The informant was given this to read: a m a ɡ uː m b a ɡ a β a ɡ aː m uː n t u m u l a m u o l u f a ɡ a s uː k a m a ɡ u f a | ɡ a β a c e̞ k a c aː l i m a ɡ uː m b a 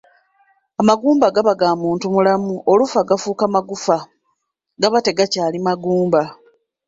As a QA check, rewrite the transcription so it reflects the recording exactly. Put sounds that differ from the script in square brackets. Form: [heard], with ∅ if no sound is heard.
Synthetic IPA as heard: a m a ɡ uː m b a ɡ a β a ɡ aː m uː n t u m u l a m u o l u f a ɡ a [f] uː k a m a ɡ u f a | ɡ a β a [t] e̞ [ɡ] a c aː l i m a ɡ uː m b a